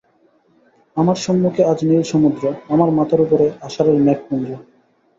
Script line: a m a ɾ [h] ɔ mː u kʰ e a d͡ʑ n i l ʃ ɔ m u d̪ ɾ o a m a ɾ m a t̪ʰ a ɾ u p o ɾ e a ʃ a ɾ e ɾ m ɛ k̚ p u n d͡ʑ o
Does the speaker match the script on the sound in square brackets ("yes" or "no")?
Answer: no